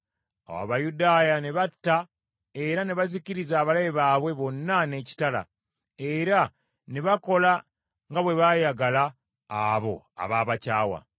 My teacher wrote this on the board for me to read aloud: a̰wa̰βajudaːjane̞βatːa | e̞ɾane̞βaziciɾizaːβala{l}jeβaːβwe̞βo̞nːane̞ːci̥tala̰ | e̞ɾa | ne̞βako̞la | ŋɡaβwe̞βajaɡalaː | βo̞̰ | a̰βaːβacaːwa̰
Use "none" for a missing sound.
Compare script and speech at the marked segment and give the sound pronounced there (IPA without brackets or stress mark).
none